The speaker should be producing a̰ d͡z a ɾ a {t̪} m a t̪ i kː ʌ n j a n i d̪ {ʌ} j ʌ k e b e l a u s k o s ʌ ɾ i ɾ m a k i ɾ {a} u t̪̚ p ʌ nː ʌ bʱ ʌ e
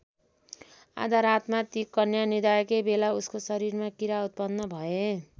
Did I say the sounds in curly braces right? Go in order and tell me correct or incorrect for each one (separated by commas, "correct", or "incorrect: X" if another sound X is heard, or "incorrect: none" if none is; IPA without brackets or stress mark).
correct, incorrect: a, correct